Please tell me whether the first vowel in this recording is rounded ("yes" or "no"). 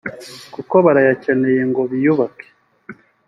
yes